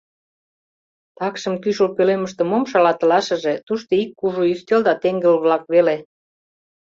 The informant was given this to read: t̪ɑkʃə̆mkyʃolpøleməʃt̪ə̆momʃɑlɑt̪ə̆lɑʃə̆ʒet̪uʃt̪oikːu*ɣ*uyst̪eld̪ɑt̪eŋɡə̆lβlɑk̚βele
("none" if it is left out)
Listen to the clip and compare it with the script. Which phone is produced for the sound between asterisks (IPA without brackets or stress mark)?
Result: ʒ